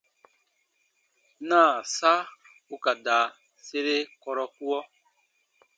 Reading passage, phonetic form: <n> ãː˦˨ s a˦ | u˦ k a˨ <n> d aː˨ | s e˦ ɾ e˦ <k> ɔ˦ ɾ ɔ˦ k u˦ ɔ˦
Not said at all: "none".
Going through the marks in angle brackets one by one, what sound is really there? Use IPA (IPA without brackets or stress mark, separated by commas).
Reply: n, none, k